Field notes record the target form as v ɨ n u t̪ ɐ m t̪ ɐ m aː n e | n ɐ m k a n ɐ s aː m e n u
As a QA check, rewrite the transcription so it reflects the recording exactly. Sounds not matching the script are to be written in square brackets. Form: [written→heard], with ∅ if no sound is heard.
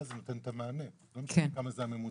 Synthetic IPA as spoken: [v→z] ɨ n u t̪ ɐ [m→n] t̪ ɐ m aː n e | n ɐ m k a [n→m] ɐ [s→z] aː m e [n→m] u